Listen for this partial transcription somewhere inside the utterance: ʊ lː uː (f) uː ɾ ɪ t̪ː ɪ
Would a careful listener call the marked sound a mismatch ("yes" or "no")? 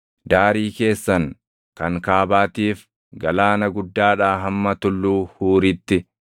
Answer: yes